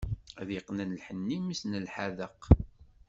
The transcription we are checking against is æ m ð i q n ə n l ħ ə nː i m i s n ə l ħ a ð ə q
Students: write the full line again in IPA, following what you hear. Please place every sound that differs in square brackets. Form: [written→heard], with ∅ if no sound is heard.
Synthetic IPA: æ [m→∅] ð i q n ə n l ħ ə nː i m i s n ə l ħ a ð ə q